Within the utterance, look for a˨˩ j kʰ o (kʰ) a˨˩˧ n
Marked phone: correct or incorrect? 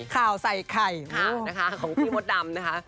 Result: incorrect